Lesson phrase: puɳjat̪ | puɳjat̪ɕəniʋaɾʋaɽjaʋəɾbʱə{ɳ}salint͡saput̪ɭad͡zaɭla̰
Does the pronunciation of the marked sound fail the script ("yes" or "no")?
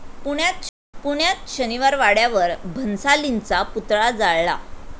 yes